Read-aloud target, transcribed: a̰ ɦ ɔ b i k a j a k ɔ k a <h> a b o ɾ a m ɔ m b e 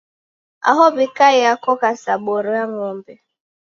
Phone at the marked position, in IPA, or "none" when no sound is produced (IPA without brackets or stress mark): s